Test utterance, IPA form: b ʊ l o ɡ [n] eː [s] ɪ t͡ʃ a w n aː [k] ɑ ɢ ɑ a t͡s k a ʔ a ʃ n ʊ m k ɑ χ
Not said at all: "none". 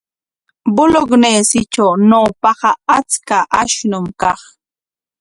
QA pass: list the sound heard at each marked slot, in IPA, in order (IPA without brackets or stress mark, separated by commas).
n, s, p